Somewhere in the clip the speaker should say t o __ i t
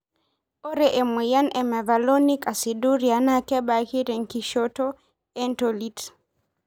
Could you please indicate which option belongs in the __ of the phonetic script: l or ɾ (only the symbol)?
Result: l